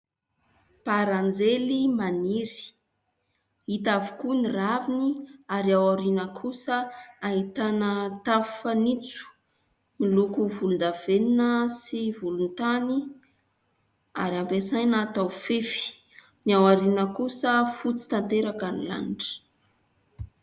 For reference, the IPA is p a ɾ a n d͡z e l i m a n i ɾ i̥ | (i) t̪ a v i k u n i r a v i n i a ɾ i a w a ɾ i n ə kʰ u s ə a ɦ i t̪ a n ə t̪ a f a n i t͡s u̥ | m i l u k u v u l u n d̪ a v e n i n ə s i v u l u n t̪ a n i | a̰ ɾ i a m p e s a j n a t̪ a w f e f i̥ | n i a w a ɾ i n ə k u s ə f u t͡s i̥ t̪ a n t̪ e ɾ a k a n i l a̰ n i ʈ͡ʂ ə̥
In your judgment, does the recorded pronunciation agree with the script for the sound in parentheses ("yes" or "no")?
yes